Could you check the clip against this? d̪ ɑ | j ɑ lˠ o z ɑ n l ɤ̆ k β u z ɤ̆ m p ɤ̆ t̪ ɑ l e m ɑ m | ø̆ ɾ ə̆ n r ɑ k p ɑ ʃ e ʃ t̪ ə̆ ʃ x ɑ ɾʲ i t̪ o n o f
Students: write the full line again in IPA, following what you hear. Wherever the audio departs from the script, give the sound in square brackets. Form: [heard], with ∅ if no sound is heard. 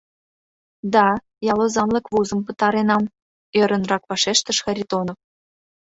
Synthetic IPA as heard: d̪ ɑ | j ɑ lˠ o z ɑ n l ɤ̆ k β u z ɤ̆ m p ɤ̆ t̪ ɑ [ɾ] e [n] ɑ m | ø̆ ɾ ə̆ n r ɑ k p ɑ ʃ e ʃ t̪ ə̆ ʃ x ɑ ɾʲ i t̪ o n o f